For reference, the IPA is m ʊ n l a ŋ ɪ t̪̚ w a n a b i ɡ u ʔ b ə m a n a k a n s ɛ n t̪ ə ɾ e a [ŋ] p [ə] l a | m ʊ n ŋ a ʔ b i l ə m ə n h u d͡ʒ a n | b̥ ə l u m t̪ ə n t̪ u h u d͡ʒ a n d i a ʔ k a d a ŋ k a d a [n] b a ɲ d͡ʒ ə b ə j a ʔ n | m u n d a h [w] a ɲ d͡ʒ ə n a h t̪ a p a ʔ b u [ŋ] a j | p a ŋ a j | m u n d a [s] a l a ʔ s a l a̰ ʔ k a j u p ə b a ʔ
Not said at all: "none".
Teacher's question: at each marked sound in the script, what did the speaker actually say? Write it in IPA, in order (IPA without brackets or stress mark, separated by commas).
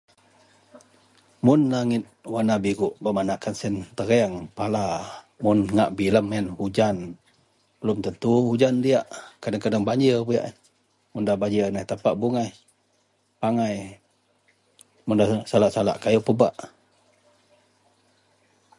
ŋ, a, ŋ, b, ŋ, s